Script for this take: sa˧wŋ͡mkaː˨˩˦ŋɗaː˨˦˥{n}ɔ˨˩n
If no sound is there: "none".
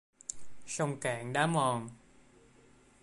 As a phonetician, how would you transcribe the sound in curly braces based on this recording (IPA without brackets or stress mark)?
m